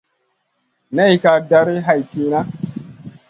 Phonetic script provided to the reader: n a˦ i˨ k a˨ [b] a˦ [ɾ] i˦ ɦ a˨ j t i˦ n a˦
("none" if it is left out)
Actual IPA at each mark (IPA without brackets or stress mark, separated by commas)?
d, ɾ